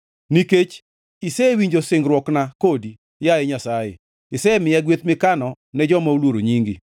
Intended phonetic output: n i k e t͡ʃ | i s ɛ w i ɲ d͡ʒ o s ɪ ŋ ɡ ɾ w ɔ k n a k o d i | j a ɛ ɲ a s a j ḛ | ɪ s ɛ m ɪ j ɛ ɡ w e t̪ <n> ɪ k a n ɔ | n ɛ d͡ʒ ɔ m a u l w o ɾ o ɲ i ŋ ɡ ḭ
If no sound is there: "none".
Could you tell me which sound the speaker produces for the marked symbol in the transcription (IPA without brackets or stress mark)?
m